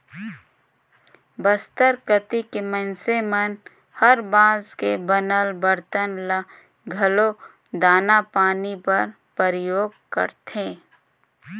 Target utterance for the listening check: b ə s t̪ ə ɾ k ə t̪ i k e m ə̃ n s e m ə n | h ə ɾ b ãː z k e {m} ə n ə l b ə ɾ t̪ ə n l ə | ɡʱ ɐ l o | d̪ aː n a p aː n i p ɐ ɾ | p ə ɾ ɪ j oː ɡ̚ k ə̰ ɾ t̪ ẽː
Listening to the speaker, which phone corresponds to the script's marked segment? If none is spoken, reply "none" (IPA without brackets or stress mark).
b